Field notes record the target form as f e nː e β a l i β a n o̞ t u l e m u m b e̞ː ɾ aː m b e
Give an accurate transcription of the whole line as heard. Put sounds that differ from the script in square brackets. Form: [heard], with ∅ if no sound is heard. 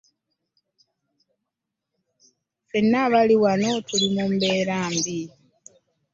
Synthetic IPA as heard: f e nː [a] β a l i [w] a n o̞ t u l [i] m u m b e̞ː ɾ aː m b [i]